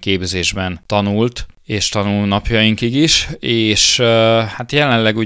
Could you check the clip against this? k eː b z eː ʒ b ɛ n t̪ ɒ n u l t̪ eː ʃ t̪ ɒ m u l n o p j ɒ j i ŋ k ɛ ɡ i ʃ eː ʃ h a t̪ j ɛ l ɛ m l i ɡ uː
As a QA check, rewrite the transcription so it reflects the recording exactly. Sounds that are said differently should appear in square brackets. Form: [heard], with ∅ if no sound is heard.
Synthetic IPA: k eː b z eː ʒ b ɛ n t̪ ɒ n u l t̪ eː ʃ t̪ ɒ [n] u l n [ɒ] p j ɒ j i ŋ k [i] ɡ i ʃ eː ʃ h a t̪ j ɛ l ɛ [n] l [ɛ] ɡ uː